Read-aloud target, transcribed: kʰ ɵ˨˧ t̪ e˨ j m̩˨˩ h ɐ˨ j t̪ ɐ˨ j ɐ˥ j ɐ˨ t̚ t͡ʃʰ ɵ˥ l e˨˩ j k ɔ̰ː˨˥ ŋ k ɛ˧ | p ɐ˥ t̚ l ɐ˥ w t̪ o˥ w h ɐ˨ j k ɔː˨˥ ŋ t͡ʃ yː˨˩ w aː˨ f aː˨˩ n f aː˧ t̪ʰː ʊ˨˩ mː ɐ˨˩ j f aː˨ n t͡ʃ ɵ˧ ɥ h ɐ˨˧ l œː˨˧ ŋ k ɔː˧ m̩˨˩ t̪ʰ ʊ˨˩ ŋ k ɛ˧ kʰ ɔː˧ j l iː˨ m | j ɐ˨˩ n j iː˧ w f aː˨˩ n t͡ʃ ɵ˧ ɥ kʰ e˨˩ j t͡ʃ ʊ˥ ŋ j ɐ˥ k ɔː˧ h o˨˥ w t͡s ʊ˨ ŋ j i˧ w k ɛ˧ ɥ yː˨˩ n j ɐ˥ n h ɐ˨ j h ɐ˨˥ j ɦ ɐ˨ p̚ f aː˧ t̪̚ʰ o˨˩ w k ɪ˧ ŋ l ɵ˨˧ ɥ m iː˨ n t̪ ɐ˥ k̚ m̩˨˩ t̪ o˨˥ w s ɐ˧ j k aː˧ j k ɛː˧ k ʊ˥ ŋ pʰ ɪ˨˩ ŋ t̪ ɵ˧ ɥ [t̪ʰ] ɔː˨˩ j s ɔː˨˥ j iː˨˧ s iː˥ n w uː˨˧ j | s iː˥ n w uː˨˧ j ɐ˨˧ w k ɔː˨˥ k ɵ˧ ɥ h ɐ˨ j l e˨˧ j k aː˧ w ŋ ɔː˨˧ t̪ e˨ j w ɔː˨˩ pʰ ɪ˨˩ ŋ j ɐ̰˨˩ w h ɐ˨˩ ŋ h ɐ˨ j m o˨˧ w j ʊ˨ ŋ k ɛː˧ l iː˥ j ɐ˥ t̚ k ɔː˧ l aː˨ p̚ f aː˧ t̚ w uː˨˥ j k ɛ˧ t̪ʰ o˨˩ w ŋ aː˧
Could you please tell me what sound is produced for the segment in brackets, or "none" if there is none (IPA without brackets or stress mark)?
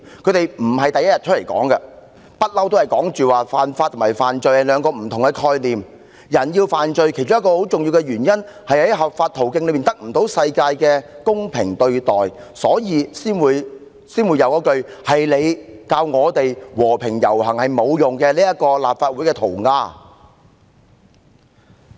t̪